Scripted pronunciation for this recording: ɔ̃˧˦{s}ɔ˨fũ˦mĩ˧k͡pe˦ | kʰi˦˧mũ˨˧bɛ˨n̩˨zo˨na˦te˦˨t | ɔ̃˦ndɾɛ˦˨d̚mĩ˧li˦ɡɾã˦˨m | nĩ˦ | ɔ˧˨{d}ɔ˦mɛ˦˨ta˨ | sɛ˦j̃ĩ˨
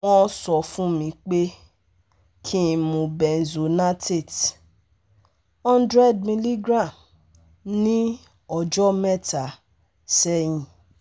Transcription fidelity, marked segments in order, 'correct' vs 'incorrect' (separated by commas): correct, incorrect